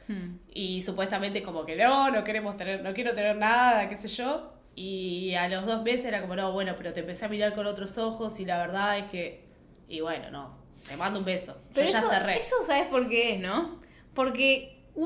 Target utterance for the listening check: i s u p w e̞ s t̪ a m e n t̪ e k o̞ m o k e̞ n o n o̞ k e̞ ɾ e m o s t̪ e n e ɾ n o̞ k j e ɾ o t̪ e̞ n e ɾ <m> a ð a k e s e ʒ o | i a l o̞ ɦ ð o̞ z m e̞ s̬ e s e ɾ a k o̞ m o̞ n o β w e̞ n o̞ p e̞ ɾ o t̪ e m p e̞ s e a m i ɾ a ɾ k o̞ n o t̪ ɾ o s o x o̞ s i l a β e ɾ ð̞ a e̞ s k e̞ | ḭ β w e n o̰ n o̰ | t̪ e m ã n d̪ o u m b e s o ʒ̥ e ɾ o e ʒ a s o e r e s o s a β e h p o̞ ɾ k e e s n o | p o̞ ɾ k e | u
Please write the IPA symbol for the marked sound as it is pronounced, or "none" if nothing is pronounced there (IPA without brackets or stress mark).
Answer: n